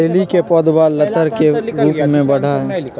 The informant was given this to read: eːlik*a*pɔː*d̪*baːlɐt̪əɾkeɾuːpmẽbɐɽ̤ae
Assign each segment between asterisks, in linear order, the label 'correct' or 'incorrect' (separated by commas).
incorrect, correct